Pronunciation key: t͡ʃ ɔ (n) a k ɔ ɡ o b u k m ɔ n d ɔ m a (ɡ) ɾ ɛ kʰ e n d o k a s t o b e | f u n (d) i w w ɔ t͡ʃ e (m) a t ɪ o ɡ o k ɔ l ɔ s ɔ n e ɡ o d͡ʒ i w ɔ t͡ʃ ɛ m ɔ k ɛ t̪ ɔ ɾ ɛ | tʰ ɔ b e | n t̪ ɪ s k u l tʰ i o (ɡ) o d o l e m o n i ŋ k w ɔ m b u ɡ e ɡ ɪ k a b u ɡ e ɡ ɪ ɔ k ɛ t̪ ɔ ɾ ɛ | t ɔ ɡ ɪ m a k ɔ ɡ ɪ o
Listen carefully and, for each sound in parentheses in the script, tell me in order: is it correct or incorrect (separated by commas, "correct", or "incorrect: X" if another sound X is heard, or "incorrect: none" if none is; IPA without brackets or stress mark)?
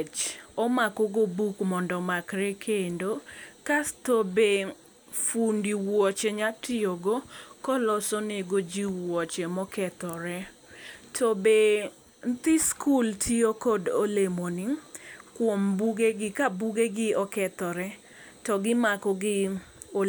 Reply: incorrect: m, incorrect: k, correct, incorrect: ɲ, incorrect: k